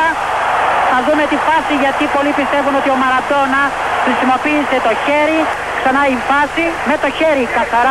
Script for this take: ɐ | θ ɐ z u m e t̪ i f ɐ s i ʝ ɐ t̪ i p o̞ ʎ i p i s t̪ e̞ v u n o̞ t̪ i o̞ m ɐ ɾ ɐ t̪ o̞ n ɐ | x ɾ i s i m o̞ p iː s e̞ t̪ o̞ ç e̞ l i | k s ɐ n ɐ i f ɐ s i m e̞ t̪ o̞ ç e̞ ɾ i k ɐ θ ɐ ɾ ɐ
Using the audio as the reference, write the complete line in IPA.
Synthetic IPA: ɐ | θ ɐ ð u m e t̪ i f ɐ s i ʝ ɐ t̪ i p o̞ l i p i s t̪ e̞ v u n o̞ t̪ i o̞ m ɐ ɾ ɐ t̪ o̞ n ɐ | x ɾ i s i m o̞ p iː s e̞ t̪ o̞ ç e̞ ɾ i | k s ɐ n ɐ i f ɐ s i m e̞ t̪ o̞ ç e̞ ɾ i k ɐ θ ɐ ɾ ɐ